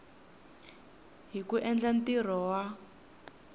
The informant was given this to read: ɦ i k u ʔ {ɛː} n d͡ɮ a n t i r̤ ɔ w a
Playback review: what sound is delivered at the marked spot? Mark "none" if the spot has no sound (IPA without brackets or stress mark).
ɛ